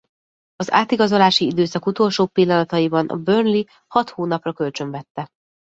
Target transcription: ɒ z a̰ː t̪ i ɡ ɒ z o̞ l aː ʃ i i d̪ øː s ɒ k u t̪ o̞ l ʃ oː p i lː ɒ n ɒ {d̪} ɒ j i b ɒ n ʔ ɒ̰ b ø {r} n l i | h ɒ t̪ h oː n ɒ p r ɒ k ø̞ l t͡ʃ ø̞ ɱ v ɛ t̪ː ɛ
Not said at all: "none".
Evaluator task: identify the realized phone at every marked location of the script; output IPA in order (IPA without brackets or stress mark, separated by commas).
t̪, r